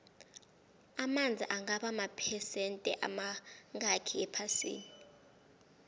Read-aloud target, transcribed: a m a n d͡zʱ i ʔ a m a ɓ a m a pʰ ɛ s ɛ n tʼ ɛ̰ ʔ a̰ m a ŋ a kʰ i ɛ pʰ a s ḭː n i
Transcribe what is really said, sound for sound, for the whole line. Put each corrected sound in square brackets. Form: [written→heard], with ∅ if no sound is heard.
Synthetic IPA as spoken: a m a n d͡zʱ i ʔ a [m→ŋ] a ɓ a m a pʰ ɛ s ɛ n tʼ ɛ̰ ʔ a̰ m a ŋ a kʰ i ɛ pʰ a s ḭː n i